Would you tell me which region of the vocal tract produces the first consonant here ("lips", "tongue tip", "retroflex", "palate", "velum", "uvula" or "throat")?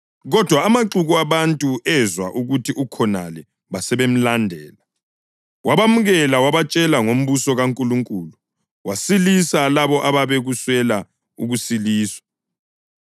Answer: velum